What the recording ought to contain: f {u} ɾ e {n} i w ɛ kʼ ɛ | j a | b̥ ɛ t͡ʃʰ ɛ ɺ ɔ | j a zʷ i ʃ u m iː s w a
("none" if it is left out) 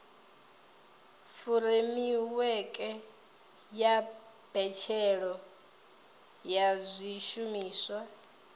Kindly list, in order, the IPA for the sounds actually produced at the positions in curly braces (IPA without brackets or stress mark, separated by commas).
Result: u, m